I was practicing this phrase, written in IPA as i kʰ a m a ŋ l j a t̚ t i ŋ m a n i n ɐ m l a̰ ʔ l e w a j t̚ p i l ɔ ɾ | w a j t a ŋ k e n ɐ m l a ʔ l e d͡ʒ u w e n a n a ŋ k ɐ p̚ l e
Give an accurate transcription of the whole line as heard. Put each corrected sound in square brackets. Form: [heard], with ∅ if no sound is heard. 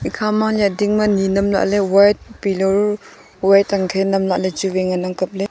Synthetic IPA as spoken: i kʰ a m a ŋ l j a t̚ [d] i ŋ m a n i n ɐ m l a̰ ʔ l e w a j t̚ p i l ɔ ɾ | w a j t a ŋ [kʰ] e n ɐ m l a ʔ l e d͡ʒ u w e [ŋ] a n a ŋ k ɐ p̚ l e